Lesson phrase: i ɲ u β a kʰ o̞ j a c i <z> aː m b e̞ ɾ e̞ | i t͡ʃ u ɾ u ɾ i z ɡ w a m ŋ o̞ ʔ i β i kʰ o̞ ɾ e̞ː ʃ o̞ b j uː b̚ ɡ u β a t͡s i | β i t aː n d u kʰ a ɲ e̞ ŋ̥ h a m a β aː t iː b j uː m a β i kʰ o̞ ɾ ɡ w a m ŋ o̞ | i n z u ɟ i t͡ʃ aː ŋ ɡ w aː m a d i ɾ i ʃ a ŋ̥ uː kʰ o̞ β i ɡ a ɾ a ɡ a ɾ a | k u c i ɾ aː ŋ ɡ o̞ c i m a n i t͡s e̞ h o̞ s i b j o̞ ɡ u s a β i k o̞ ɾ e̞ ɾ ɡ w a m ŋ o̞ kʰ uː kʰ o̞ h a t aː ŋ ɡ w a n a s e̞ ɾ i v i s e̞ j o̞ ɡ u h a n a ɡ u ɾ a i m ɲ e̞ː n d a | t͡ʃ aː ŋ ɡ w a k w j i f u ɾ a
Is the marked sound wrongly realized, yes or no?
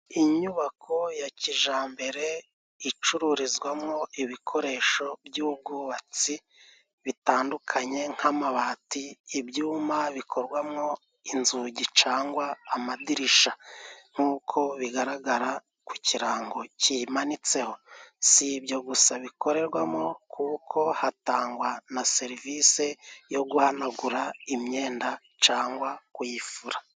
yes